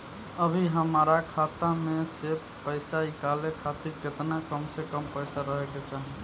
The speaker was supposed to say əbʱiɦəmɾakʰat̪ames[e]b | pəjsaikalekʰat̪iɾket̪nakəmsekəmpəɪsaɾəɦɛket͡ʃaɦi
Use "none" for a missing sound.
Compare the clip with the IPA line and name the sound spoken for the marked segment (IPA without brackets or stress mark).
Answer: e